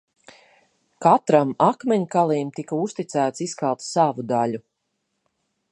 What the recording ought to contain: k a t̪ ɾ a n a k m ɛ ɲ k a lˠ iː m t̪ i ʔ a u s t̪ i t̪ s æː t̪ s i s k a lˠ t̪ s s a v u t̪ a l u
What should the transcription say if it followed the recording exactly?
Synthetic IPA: k a t̪ ɾ a m a k m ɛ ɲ k a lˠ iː m t̪ i k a u s t̪ i t̪ s æː t̪ s i s k a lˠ t̪ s s a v u d̪ a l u